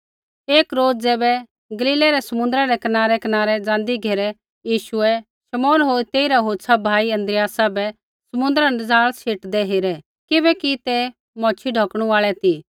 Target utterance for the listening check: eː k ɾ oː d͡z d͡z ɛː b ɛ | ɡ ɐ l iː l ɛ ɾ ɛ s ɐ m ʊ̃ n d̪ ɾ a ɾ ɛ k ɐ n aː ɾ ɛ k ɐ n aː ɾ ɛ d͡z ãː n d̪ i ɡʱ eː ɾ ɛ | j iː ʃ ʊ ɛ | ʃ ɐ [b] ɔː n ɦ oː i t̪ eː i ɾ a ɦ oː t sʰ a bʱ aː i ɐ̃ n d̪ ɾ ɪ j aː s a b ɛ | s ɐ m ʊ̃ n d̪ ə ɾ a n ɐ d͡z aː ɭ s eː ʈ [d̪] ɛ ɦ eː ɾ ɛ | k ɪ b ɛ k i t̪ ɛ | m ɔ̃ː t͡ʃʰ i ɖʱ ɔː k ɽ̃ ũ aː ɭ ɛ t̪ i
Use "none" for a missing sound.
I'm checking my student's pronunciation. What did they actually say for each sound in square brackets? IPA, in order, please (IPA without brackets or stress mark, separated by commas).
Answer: m, d̪